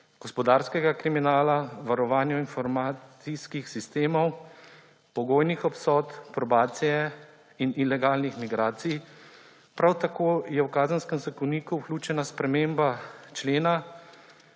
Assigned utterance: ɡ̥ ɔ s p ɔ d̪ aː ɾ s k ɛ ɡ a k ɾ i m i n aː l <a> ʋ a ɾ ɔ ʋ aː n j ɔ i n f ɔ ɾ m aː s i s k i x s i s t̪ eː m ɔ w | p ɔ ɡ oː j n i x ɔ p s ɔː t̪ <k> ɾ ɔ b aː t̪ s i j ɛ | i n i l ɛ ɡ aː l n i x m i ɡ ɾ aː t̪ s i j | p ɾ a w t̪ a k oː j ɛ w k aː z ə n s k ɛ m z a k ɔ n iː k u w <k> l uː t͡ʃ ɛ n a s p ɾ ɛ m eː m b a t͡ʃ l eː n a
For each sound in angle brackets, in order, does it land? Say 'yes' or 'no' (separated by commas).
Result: yes, no, yes